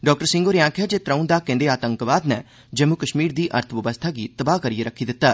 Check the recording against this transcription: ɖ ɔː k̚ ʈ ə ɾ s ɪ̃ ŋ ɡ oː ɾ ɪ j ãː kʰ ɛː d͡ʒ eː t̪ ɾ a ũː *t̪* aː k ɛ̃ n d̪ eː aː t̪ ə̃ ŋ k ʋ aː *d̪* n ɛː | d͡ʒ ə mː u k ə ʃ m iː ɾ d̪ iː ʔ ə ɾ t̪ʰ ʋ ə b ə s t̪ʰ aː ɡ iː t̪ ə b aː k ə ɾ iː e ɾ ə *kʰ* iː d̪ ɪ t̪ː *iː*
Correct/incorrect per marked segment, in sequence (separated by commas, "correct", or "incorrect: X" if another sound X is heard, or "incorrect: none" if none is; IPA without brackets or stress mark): incorrect: d̪, correct, correct, incorrect: aː